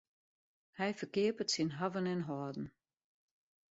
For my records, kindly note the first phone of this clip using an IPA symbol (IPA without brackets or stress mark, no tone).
h